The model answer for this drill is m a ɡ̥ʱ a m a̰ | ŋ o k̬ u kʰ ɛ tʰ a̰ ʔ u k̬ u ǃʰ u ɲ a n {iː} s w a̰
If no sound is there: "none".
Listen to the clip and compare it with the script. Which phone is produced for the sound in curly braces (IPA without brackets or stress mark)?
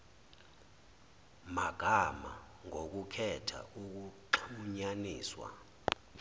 iː